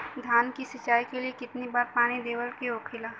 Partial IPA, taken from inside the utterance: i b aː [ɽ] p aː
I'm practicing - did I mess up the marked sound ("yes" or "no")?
yes